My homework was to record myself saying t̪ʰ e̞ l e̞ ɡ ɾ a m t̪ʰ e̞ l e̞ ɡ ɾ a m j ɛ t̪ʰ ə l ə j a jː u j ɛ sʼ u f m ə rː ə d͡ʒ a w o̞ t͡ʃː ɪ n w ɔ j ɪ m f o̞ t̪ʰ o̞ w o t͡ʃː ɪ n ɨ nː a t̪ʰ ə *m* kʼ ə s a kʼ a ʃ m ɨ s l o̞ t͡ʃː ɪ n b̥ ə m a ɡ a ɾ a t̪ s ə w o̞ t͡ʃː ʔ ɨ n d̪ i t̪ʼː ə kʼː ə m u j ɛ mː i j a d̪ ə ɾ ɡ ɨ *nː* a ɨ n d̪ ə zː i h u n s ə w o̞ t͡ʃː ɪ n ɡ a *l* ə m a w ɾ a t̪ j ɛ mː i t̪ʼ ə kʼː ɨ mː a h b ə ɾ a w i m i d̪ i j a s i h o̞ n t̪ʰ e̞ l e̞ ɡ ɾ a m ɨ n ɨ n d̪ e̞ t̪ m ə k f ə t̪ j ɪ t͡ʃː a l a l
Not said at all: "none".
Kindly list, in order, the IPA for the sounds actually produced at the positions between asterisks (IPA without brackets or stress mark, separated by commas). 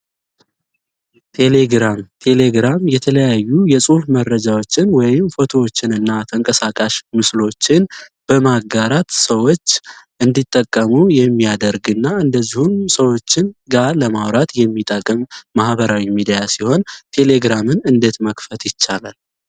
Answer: ŋ, nː, l